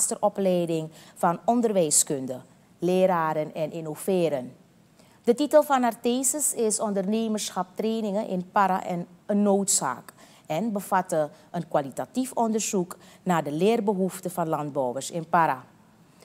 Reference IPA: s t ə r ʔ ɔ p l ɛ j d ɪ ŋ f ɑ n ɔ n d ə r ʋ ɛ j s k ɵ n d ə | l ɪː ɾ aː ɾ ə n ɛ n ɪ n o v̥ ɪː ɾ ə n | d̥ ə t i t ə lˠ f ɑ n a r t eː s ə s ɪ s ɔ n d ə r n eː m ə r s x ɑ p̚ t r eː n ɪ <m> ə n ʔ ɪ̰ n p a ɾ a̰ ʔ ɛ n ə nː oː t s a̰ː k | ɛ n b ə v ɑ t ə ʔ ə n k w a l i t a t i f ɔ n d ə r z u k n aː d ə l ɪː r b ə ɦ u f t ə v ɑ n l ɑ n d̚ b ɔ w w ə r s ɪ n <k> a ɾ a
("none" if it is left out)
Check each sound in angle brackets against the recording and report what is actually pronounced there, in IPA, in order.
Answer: ŋ, p

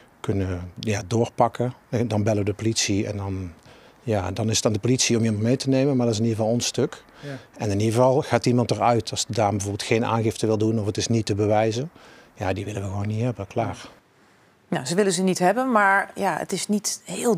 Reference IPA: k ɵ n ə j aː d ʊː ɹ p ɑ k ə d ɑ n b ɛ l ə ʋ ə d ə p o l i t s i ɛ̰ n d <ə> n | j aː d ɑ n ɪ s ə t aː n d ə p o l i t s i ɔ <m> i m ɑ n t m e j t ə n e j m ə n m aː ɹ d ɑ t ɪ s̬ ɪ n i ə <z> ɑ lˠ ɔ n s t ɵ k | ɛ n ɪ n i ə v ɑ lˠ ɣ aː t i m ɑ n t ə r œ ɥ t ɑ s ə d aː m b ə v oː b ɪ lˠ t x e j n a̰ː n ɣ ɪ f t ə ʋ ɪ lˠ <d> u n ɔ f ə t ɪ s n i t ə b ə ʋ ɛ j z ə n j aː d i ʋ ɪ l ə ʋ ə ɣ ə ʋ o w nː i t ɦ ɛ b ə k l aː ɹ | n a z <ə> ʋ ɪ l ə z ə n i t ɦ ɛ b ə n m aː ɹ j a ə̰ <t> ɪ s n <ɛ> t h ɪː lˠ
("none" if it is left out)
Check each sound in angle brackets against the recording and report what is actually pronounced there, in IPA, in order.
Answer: ɑ, m, v, d, ə, t, i

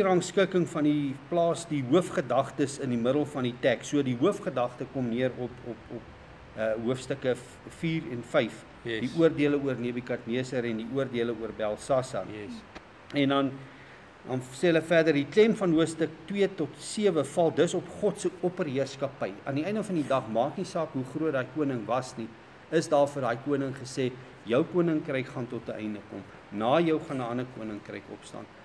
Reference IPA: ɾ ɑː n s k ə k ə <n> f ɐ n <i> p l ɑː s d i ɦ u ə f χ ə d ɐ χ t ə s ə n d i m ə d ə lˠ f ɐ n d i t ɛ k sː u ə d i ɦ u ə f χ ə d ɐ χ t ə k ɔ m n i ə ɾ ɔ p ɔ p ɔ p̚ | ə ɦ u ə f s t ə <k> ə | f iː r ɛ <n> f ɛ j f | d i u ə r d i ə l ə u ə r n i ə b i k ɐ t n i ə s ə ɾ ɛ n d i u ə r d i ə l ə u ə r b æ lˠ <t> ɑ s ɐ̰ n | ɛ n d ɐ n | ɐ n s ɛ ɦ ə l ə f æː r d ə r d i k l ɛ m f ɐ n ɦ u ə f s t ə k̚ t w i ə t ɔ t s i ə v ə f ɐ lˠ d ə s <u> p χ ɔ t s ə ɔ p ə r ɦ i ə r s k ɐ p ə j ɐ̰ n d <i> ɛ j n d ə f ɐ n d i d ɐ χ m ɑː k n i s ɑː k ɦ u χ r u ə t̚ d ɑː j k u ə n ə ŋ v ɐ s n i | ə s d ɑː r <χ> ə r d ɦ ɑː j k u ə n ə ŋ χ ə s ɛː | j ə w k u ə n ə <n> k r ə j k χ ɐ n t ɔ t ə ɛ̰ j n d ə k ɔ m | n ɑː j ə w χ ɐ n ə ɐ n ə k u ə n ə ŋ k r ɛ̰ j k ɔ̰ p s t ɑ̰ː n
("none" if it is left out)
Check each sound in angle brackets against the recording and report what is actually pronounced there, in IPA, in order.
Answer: ŋ, i, k, n, s, ɔ, i, f, ŋ

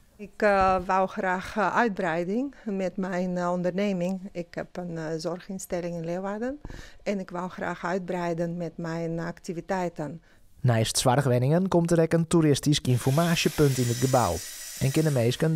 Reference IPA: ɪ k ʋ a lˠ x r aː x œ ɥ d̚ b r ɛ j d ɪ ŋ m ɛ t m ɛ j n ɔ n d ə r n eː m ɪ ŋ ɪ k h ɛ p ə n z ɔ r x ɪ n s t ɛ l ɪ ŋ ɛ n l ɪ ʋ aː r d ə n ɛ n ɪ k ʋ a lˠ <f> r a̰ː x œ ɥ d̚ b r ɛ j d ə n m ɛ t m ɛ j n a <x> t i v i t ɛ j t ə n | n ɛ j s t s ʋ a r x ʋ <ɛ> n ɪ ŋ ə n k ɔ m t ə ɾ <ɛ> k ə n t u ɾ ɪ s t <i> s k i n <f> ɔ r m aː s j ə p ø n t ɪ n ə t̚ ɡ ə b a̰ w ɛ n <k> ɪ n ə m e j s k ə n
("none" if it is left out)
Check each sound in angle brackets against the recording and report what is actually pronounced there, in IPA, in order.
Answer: x, k, ɛ, ɛ, i, f, k

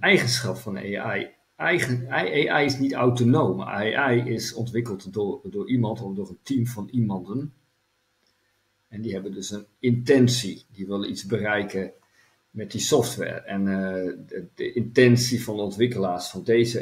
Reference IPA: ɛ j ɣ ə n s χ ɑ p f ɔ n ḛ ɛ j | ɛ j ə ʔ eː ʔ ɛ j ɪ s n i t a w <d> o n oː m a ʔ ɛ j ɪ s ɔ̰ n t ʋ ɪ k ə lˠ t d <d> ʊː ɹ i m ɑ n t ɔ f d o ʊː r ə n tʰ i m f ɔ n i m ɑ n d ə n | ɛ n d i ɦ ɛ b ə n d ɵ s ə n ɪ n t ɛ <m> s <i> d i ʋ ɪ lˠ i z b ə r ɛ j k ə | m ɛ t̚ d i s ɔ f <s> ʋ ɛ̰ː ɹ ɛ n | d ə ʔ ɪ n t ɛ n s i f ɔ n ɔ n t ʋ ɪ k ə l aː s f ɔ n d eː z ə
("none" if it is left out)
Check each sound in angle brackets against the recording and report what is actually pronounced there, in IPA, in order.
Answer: t, d, n, i, t

